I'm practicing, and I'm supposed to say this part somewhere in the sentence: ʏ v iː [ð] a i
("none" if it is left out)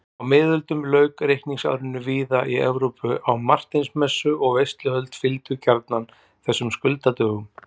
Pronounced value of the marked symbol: ð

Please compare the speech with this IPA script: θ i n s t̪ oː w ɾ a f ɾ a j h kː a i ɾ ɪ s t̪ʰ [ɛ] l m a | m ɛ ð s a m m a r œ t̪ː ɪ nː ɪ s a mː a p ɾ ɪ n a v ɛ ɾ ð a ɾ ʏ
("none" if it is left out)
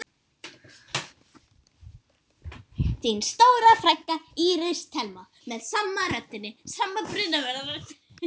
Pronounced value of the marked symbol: ɛ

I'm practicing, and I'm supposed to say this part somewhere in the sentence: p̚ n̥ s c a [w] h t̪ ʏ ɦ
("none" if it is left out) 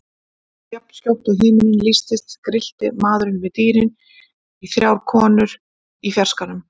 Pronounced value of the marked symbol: w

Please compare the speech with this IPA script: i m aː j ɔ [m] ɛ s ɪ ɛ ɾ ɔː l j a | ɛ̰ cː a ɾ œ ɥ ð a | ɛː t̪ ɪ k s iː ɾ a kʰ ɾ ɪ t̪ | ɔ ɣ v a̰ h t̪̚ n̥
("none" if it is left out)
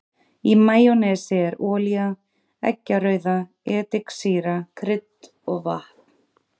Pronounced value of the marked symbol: n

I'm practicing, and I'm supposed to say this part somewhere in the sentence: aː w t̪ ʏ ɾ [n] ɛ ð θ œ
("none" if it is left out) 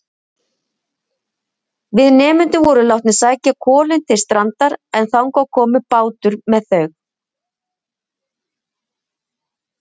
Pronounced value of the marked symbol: m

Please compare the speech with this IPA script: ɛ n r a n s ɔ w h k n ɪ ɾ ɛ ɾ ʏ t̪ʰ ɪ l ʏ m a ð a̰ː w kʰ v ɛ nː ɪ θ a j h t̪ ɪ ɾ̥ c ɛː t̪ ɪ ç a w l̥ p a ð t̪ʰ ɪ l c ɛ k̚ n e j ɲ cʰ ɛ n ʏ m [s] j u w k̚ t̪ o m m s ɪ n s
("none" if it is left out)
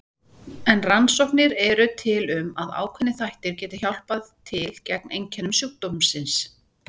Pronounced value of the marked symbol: s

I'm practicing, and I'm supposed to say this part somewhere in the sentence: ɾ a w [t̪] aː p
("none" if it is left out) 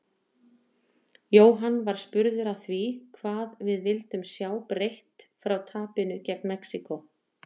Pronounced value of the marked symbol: t̪ʰ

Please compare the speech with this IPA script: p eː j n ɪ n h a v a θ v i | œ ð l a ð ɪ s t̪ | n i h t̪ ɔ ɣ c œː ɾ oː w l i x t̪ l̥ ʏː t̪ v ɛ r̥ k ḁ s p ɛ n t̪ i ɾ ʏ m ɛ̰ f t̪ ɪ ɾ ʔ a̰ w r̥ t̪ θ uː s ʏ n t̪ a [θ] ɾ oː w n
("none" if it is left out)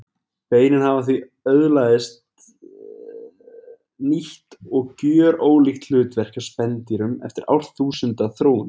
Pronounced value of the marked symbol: θ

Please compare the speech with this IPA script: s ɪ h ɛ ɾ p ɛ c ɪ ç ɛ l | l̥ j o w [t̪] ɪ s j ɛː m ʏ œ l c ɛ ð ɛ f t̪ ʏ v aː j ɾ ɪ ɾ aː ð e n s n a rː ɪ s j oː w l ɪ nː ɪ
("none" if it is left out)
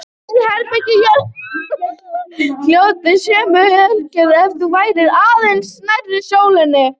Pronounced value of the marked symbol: t̪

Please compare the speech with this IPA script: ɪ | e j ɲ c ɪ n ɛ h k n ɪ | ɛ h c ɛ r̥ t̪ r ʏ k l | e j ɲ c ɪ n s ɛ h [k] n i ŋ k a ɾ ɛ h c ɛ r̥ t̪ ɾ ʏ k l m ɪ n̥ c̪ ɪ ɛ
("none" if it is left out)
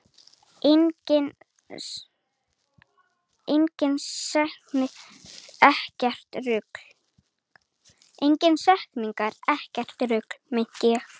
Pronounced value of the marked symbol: k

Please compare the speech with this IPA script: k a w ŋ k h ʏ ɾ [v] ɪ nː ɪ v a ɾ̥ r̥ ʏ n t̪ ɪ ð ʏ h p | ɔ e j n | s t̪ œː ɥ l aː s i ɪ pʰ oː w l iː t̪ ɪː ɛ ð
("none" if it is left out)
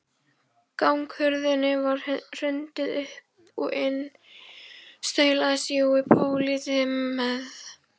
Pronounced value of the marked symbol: ð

